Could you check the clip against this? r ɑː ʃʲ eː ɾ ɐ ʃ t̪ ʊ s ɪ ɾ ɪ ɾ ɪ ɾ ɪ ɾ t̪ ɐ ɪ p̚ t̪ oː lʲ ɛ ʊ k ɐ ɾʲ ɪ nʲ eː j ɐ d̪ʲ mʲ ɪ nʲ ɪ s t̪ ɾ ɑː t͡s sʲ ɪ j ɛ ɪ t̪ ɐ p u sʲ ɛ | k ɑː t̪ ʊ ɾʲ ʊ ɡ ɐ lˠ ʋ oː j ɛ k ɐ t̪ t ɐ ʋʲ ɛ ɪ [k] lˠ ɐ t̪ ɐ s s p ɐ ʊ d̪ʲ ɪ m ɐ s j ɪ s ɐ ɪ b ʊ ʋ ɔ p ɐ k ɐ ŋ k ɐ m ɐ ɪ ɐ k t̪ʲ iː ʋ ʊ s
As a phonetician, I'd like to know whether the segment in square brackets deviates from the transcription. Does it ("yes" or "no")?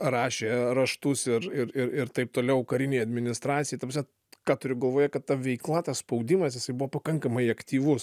no